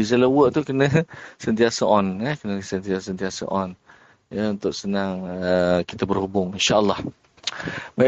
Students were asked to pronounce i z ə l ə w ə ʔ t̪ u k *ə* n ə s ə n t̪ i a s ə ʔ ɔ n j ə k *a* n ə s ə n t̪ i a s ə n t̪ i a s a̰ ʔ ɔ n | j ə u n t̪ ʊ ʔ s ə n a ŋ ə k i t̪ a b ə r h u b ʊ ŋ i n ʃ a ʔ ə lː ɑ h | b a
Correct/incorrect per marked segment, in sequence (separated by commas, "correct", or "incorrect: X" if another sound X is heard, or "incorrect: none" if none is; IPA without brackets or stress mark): correct, incorrect: ə